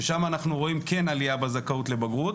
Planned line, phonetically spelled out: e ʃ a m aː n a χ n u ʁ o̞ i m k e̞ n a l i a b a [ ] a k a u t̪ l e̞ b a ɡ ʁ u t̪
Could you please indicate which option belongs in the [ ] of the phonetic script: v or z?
z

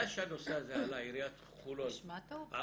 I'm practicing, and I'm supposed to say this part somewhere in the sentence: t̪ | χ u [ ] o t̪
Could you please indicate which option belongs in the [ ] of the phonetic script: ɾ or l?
l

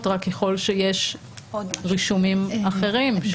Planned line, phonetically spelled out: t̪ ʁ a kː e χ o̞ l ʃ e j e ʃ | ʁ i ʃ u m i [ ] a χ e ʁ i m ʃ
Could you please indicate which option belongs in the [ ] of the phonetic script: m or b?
m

